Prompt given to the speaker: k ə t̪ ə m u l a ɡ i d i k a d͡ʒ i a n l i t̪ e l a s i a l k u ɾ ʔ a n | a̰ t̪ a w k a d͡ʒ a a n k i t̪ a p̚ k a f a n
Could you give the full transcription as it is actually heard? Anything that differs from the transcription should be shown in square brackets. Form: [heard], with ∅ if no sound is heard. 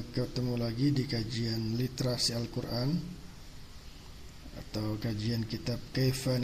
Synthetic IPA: k ə t̪ ə m u l a ɡ i d i k a d͡ʒ i a n l i t̪ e [ɾ] a s i a l k u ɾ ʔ a n | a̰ t̪ a w k a d͡ʒ [i] a n k i t̪ a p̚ k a f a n